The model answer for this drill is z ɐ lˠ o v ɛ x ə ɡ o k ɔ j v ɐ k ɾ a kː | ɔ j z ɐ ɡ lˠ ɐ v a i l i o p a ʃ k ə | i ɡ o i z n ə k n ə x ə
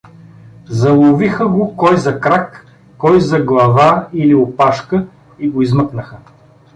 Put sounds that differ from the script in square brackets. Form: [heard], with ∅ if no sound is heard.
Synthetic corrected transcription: z ɐ lˠ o v [i] x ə ɡ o k ɔ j [z] ɐ k ɾ a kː | ɔ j z ɐ ɡ lˠ ɐ v a i l i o p a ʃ k ə | i ɡ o i z [m] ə k n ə x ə